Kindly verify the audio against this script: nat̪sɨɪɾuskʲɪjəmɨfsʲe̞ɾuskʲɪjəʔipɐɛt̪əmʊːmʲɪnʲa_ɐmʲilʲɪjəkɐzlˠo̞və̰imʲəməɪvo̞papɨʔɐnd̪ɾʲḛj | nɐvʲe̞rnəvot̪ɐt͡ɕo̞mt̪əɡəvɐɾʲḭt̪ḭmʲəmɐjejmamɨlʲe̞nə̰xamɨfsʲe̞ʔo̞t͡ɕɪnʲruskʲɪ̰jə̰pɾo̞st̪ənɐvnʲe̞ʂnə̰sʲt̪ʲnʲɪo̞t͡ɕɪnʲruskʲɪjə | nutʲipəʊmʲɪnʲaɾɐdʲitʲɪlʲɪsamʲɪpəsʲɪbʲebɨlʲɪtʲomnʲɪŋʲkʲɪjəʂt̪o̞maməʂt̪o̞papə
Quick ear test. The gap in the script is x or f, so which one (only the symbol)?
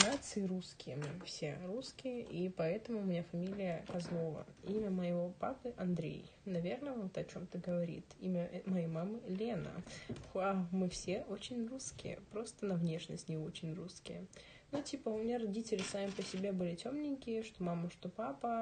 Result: f